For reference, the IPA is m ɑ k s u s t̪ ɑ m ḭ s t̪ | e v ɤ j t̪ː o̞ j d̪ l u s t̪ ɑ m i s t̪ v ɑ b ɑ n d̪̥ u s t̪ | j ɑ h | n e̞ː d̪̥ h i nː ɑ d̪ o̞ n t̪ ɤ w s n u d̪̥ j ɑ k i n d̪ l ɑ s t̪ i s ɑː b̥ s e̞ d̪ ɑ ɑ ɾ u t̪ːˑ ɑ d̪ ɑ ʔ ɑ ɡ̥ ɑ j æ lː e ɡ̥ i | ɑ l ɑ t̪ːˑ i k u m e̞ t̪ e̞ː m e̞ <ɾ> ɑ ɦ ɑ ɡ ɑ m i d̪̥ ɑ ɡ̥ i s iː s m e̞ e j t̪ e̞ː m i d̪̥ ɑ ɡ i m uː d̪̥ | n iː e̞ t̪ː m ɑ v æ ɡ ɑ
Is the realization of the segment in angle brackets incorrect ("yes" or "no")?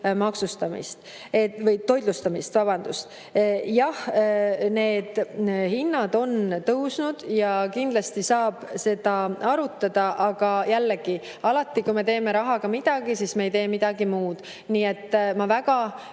no